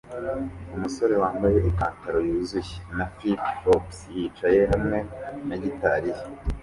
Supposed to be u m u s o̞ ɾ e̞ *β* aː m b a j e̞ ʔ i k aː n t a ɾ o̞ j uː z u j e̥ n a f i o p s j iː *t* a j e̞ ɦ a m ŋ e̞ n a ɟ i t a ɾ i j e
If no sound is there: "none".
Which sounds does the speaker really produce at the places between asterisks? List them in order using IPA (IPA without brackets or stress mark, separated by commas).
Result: w, t͡ʃ